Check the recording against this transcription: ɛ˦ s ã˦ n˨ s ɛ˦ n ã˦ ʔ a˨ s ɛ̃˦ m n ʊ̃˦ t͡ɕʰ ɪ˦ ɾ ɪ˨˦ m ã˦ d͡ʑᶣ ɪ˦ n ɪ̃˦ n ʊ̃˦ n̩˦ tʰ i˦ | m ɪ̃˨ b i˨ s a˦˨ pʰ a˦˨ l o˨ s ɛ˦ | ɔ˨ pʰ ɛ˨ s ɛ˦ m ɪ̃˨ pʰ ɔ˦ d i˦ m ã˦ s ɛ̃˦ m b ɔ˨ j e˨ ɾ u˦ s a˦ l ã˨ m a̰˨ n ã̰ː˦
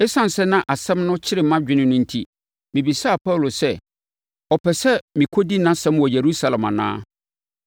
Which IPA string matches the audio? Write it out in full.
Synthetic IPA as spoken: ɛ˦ s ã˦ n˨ s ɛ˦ n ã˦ ʔ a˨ s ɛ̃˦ m n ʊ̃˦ t͡ɕʰ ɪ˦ ɾ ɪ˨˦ m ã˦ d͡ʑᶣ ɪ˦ n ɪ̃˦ n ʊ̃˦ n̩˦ tʰ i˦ | m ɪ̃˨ b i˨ s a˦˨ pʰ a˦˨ l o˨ s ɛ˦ | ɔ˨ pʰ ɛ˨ s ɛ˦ m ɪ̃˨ kʰ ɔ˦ d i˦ n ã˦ s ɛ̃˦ m w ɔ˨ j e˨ ɾ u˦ s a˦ l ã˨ m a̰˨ n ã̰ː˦

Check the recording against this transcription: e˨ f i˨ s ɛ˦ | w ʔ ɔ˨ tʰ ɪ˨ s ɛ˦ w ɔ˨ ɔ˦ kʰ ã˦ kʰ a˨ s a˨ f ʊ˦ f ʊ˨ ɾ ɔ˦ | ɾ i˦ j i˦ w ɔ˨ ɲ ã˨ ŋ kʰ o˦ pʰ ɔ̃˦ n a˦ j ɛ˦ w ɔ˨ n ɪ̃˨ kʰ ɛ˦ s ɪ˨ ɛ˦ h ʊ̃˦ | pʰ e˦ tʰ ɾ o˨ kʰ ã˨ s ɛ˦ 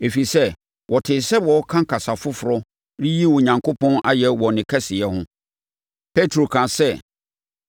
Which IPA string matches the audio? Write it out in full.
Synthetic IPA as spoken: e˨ f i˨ s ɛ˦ | w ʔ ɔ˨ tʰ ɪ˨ s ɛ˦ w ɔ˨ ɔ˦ kʰ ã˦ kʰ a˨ s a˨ f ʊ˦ f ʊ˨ ɾ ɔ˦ | ɾ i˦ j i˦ w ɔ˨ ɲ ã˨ ŋ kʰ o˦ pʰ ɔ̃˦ n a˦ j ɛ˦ w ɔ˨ n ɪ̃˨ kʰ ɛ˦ s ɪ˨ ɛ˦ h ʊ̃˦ | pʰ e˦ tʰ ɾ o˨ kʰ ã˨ s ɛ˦

